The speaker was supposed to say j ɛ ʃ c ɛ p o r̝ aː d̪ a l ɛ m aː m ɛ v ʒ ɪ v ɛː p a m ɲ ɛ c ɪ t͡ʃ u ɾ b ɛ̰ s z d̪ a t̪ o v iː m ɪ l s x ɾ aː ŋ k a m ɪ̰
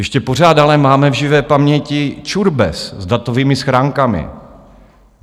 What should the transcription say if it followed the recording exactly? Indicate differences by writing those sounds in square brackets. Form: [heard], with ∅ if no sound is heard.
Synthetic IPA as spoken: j ɛ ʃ c ɛ p o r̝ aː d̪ a l ɛ m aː m ɛ v ʒ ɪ v ɛː p a m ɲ ɛ c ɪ t͡ʃ u ɾ b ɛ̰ s z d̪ a t̪ o v iː m ɪ [∅] s x ɾ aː ŋ k a m ɪ̰